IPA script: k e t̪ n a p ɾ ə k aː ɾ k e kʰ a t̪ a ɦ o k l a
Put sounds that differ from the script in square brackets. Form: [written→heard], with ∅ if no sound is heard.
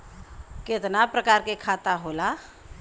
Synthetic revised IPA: k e t̪ n a p ɾ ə k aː ɾ k e kʰ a t̪ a ɦ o [k→∅] l a